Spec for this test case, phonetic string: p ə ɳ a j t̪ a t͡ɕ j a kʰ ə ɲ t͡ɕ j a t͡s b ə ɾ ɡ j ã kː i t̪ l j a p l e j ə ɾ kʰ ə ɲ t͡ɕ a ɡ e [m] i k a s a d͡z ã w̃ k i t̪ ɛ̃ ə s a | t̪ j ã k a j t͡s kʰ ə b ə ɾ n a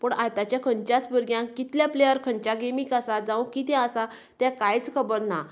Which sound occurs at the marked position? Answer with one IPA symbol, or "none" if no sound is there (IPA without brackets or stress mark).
m